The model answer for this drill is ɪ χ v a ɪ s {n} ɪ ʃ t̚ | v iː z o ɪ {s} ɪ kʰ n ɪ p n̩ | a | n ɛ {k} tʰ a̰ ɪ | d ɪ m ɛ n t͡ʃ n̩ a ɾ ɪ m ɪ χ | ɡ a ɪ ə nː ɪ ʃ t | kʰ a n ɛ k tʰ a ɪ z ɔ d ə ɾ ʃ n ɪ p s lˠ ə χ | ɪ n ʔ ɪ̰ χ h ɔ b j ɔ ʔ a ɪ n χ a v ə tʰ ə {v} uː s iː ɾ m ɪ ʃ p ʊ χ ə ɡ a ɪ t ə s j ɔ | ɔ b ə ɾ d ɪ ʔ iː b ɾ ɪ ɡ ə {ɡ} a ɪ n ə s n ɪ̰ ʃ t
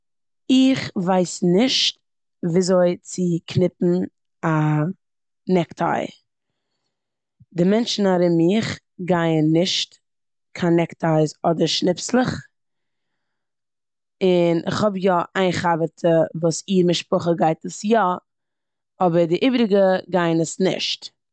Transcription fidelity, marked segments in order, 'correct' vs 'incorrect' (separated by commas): correct, incorrect, correct, correct, correct